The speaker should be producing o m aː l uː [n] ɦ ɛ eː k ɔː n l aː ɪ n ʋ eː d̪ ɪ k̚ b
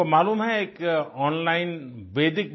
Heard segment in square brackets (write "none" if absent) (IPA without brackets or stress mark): m